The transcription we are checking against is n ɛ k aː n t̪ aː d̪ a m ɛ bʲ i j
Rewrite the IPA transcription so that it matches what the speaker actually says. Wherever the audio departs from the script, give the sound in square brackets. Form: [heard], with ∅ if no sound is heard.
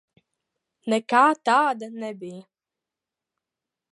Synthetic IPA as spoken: n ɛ k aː [∅] t̪ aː d̪ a [n] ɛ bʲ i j